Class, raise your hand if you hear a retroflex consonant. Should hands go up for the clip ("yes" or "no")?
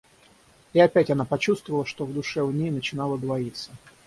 yes